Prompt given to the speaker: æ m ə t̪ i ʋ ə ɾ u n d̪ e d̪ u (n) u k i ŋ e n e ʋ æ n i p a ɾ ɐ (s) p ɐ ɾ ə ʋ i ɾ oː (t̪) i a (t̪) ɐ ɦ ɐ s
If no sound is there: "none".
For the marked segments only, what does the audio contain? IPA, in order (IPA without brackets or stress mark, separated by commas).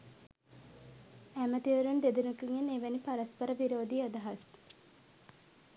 n, s, d̪, d̪